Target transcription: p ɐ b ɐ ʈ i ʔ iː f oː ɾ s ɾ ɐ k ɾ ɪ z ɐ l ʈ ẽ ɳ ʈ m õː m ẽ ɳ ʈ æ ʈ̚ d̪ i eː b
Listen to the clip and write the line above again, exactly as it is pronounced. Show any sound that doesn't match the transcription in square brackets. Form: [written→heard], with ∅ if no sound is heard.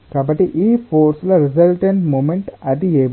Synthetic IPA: [p→k] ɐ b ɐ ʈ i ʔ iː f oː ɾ s [ɾ→l] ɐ [k→∅] ɾ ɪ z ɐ l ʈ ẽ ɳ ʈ m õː m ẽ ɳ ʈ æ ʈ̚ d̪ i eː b